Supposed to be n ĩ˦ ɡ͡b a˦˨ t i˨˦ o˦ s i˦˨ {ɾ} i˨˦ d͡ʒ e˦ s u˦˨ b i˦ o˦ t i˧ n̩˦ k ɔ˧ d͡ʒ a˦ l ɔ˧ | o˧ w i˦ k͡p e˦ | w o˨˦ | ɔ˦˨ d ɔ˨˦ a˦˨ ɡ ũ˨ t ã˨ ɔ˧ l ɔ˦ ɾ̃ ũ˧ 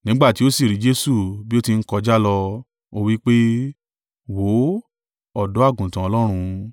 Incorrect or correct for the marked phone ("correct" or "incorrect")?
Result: correct